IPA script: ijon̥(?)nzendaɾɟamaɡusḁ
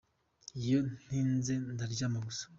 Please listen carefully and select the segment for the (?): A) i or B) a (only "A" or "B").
A